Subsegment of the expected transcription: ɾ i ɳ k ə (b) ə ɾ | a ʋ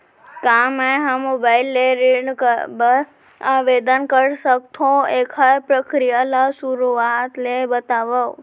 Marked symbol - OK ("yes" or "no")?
yes